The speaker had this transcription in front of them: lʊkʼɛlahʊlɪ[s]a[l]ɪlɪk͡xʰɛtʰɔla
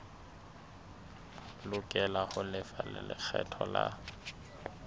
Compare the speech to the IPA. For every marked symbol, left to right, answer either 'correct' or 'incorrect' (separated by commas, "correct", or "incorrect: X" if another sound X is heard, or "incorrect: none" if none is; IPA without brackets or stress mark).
incorrect: f, correct